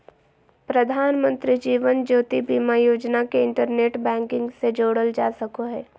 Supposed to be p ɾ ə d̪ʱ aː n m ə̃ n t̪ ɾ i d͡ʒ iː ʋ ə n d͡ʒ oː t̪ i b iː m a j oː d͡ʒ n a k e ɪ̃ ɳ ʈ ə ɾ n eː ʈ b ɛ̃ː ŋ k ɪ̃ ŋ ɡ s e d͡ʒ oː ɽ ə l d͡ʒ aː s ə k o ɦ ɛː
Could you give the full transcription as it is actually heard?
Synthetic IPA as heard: p ɾ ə d̪ʱ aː n m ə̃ n t̪ ɾ i d͡ʒ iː ʋ ə n d͡ʒ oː t̪ i b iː m a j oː d͡ʒ n a k e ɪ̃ ɳ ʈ ə ɾ n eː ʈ b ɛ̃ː ŋ k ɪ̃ ŋ ɡ s e d͡ʒ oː ɽ ə l d͡ʒ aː s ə k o ɦ ɛː